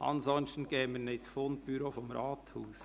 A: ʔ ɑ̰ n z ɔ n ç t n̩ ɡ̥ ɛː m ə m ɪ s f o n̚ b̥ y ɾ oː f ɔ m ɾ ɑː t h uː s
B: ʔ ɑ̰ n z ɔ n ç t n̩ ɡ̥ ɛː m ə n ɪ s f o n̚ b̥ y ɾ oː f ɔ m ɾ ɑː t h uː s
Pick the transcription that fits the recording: B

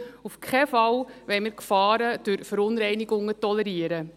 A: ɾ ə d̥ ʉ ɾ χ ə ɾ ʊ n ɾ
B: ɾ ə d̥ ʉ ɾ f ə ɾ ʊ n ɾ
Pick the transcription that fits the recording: B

